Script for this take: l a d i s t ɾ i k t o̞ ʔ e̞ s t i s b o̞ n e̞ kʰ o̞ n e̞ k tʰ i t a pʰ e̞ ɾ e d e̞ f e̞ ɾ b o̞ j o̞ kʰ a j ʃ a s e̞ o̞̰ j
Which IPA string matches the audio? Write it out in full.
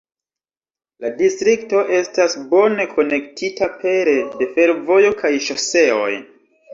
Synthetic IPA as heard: l a d i s t ɾ i k t o̞ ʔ e̞ s t a s b o̞ n e̞ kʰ o̞ n e̞ k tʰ i t a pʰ e̞ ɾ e d e̞ f e̞ ɾ v o̞ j o̞ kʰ a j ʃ a s e̞ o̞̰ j